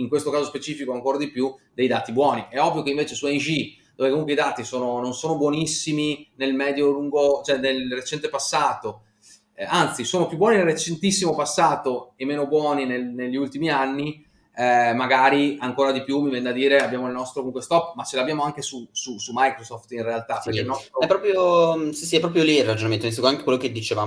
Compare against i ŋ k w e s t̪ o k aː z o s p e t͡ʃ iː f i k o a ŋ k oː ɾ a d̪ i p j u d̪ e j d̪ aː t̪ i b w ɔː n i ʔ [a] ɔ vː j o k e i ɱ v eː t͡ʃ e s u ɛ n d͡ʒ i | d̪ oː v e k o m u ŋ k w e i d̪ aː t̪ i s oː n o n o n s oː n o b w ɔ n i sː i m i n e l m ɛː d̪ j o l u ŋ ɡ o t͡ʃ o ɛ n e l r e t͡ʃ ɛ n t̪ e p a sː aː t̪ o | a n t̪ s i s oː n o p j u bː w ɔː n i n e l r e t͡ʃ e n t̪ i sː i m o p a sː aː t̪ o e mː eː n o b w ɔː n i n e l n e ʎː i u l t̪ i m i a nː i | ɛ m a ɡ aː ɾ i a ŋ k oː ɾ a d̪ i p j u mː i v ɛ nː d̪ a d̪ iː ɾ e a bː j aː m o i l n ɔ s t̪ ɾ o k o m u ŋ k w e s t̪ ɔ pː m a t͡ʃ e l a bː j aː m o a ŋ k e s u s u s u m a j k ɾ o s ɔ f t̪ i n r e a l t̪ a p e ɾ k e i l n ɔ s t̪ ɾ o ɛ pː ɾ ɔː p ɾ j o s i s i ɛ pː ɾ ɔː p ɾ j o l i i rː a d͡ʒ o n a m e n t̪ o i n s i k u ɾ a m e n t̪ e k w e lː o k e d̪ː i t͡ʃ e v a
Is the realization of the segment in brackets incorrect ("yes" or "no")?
yes